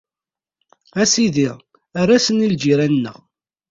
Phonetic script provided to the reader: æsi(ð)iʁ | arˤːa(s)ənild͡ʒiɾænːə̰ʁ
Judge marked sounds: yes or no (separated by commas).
yes, yes